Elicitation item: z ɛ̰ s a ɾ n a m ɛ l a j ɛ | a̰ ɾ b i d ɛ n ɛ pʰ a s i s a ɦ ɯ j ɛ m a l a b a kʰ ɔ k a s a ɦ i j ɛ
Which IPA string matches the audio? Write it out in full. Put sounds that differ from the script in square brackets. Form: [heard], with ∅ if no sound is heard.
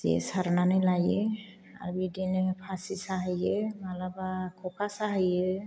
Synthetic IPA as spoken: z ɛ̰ s a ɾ n a [n] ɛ l a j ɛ | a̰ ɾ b i d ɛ n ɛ pʰ a s i s a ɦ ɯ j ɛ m a l a b a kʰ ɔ k a s a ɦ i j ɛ